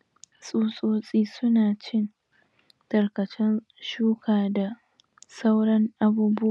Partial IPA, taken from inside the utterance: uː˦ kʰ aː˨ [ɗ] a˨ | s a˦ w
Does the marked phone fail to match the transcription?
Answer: yes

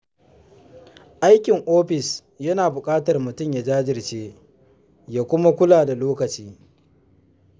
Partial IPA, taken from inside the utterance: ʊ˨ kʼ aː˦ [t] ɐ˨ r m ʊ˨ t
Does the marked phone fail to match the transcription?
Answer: no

